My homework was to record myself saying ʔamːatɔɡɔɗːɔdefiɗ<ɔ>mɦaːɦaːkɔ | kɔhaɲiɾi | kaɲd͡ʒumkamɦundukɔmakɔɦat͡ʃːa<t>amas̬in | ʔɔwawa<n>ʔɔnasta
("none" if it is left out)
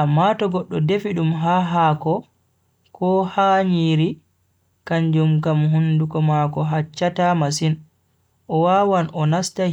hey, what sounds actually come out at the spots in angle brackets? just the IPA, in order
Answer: u, t, n

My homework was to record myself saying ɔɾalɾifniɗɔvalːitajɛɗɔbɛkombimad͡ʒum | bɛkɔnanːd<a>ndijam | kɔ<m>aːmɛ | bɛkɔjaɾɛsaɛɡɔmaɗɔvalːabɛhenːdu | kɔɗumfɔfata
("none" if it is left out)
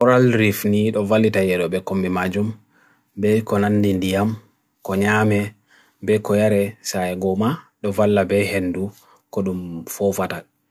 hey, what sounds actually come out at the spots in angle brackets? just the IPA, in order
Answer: i, ɲ

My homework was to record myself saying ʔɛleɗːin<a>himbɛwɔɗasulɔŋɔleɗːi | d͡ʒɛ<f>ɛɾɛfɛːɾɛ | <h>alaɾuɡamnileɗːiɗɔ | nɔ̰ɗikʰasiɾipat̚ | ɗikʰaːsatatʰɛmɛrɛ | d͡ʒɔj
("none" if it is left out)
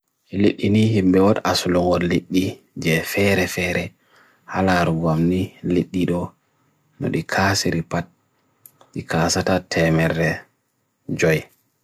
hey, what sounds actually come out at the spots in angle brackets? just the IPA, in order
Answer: i, f, h

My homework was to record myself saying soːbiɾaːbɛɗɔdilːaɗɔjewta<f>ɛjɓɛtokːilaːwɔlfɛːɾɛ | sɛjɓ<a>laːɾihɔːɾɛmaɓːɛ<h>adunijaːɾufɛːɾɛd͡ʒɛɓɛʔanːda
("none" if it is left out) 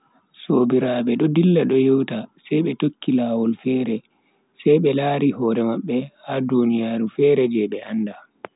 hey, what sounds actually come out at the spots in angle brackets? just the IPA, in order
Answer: s, ɛ, h

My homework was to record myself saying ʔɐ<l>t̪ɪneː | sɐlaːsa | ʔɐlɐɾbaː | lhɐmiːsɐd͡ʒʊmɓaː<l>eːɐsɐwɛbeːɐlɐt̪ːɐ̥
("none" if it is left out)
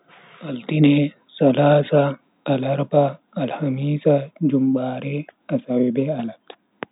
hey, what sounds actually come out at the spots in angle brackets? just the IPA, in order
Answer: l, ɾ

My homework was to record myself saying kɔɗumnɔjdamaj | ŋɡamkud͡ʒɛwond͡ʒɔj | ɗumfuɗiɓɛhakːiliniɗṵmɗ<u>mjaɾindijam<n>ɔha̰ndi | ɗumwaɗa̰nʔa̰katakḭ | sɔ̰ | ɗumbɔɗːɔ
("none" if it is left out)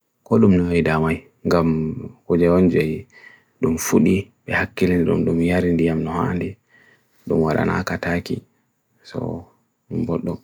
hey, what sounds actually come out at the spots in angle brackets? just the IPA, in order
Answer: u, n

